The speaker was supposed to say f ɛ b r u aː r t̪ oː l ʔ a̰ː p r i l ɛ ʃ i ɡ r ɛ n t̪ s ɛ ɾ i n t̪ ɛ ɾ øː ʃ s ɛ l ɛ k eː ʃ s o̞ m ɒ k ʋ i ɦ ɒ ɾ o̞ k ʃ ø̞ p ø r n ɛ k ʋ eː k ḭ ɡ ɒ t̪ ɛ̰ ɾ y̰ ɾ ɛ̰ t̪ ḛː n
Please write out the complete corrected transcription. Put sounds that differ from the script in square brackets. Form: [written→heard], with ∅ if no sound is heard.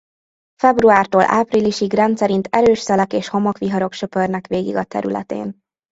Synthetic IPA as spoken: f ɛ b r u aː r t̪ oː l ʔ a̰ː p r i l [ɛ→i] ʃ i ɡ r ɛ n t̪ s ɛ ɾ i n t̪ ɛ ɾ øː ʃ s ɛ l ɛ k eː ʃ [s→h] o̞ m ɒ k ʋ i ɦ ɒ ɾ o̞ k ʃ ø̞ p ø r n ɛ k ʋ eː [k→ɡ] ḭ ɡ ɒ t̪ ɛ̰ ɾ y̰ [ɾ→l] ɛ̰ t̪ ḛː n